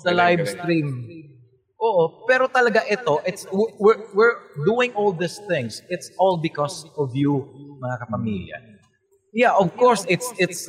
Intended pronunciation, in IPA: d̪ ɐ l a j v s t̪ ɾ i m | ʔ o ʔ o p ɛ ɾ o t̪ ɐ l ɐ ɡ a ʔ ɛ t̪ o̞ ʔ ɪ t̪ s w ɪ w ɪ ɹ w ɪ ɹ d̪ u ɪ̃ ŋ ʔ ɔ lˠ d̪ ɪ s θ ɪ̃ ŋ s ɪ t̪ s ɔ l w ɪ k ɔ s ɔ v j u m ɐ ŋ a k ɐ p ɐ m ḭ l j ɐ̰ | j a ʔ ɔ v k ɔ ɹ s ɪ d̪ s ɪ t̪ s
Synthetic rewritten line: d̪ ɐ l a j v s t̪ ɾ i m | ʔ o ʔ o p ɛ ɾ o t̪ ɐ l ɐ ɡ a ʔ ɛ t̪ o̞ ʔ ɪ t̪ s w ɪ w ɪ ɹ w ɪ ɹ d̪ u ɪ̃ ŋ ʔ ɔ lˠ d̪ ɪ s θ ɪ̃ ŋ s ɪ t̪ s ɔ l b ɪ k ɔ s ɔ v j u m ɐ ŋ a k ɐ p ɐ m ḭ l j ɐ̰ | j a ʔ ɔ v k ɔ ɹ s ɪ t̪ s ɪ t̪ s